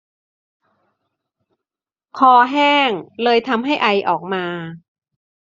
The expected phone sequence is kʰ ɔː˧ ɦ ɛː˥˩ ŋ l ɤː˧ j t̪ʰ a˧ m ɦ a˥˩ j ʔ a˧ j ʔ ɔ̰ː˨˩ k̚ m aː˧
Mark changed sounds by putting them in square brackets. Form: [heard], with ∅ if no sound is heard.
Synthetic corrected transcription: kʰ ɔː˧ ɦ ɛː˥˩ ŋ l ɤː˧ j t̪ʰ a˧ m ɦ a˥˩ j ʔ a˧ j ʔ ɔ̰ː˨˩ k̚ m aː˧